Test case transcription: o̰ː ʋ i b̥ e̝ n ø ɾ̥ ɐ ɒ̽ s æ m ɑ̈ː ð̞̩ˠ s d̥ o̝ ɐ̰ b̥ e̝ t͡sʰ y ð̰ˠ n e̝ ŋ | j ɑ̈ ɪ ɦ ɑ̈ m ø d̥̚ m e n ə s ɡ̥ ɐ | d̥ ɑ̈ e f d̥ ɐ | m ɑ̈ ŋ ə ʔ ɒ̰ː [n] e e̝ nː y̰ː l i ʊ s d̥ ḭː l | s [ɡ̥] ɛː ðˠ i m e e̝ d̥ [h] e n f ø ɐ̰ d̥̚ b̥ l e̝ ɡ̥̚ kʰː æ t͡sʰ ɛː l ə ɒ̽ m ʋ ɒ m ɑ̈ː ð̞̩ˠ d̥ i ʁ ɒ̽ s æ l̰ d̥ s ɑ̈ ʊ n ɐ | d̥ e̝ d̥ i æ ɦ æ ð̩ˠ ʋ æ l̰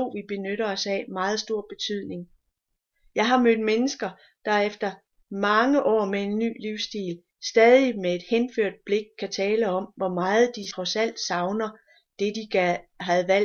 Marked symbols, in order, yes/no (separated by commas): no, no, yes